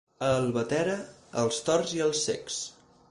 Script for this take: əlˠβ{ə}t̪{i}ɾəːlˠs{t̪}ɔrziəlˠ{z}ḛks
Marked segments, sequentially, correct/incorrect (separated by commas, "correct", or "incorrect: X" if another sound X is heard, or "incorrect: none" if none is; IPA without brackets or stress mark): correct, incorrect: ɛ, correct, incorrect: s